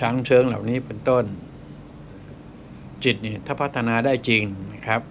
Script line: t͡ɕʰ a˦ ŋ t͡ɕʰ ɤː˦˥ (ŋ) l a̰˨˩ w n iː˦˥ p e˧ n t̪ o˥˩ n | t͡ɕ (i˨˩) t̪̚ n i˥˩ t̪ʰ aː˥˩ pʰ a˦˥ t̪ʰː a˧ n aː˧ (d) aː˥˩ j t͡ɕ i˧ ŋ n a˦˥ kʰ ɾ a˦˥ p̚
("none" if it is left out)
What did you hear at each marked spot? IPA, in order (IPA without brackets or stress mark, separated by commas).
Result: ŋ, i˨˩, d